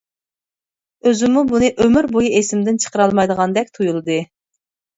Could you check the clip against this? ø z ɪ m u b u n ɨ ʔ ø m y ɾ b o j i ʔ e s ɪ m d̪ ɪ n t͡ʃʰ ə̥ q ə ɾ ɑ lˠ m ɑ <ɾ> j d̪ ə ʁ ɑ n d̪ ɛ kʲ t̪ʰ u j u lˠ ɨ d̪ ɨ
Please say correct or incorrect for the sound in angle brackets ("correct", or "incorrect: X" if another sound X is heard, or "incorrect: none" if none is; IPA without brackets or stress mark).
incorrect: none